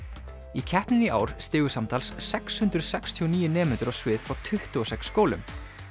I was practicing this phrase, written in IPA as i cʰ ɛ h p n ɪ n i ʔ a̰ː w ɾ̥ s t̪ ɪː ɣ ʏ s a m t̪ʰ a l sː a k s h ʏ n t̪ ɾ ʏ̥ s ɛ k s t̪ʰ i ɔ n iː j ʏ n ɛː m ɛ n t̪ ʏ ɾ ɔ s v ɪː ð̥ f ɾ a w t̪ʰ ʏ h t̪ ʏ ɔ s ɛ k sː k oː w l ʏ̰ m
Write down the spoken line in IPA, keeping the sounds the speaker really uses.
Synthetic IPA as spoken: i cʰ ɛ h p n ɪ n i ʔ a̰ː w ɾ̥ s t̪ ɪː ɣ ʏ s a m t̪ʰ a l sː ɛ k s h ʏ n t̪ ɾ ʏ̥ s ɛ k s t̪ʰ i ɔ n iː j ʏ n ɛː m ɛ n t̪ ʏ ɾ ɔ s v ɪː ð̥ f ɾ a w t̪ʰ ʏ h t̪ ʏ ɔ s ɛ k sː k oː w l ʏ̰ m